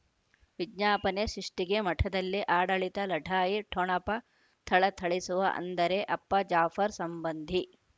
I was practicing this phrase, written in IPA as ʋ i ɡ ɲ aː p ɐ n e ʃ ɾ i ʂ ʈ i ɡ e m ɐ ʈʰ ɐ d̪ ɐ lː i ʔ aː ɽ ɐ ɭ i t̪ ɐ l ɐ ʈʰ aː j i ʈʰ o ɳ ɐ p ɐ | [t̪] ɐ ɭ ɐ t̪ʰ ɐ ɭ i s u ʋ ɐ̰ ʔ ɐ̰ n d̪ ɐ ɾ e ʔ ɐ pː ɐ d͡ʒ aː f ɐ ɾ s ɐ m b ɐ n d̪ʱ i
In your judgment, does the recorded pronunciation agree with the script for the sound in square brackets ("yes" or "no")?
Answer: no